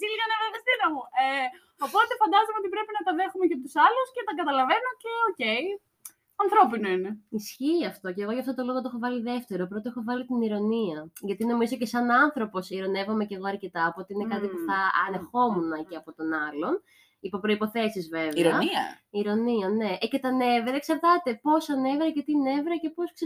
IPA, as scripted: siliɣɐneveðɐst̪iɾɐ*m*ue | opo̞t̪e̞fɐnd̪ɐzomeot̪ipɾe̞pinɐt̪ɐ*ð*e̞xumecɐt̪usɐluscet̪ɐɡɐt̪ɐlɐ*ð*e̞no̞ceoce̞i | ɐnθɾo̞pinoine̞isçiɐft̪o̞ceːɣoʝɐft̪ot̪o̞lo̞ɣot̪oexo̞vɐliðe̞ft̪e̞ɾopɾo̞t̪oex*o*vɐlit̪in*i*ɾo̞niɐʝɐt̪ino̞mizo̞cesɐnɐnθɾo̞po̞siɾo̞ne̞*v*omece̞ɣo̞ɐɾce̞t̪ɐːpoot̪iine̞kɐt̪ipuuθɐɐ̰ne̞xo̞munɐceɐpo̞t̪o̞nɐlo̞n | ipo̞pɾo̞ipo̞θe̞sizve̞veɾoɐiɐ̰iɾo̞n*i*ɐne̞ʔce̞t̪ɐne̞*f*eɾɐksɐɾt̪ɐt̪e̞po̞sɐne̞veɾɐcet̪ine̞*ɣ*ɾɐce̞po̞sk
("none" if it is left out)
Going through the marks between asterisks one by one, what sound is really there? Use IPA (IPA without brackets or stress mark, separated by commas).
m, ð, v, o, i, v, i, v, v